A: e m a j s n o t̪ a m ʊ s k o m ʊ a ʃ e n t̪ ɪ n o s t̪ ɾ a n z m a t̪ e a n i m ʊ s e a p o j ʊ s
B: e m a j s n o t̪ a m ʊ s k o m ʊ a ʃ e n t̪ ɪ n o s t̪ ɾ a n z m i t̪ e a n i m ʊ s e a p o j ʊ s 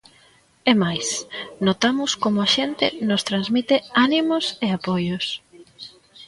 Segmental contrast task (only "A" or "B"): B